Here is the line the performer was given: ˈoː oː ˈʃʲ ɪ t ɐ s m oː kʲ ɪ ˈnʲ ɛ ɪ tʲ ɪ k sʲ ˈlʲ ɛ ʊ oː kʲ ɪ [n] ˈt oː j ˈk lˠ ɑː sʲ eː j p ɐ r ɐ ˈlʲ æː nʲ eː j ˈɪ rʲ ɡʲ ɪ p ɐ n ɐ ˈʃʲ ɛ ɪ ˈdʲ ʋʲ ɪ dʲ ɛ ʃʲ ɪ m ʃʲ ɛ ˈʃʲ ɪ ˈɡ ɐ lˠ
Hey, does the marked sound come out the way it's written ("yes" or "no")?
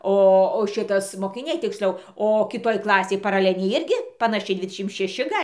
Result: no